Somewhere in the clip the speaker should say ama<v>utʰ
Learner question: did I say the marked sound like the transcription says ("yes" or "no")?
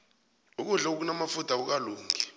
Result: no